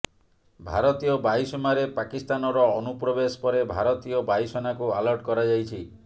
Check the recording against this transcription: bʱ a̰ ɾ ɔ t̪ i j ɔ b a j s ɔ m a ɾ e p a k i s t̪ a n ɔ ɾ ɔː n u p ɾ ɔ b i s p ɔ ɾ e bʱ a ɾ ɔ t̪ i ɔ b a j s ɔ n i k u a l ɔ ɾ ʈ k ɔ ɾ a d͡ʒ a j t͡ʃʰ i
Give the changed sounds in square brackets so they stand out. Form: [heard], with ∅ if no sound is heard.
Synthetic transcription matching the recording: bʱ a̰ ɾ ɔ t̪ i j ɔ b a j s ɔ m a ɾ e p a k i s t̪ a n ɔ ɾ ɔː n u p ɾ ɔ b [e] s p ɔ ɾ e bʱ a ɾ ɔ t̪ i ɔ b a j s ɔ n [a] k u a l ɔ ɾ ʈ k ɔ ɾ a d͡ʒ a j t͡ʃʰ i